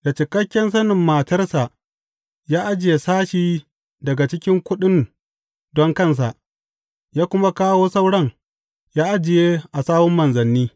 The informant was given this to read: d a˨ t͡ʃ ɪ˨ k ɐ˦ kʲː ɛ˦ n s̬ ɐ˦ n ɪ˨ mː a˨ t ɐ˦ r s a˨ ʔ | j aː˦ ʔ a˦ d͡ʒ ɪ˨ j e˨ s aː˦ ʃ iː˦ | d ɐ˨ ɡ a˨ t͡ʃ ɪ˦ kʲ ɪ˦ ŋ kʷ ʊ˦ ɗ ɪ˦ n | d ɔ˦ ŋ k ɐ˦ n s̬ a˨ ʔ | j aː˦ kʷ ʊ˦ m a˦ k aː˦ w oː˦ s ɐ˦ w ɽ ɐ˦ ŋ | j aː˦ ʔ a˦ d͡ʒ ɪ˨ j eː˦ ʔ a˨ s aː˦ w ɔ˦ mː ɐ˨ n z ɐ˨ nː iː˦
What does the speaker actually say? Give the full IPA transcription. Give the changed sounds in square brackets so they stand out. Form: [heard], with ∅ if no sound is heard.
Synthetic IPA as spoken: d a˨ t͡ʃ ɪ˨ k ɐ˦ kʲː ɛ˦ n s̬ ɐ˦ n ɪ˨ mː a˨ t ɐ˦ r s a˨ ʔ | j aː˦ ʔ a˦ d͡ʒ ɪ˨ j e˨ s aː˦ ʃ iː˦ | d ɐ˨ ɡ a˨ t͡ʃ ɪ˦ kʲ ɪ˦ ŋ kʷ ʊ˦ ɗ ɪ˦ n | d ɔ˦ ŋ k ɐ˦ n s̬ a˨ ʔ | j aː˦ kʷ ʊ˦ m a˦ k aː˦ w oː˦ s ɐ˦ w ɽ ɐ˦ ŋ | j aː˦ ʔ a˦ d͡ʒ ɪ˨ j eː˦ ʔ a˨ s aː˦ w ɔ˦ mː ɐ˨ n z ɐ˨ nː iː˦